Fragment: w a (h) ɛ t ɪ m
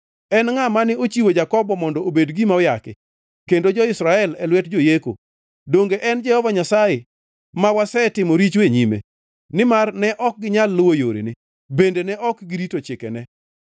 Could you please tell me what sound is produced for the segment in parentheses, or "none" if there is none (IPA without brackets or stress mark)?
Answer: s